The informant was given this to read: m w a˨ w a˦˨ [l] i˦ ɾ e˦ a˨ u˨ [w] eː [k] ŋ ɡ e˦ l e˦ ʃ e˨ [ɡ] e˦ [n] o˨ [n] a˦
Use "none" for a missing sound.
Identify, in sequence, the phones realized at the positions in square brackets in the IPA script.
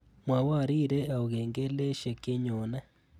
ɾ, ɣ, none, k, ɲ, n

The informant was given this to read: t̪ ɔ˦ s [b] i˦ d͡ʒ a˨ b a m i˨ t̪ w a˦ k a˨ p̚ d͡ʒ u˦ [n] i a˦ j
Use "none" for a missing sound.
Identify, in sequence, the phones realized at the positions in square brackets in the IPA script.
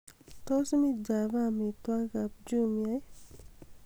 m, m

